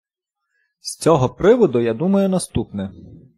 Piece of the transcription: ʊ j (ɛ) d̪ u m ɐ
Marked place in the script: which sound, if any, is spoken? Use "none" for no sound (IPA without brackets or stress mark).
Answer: a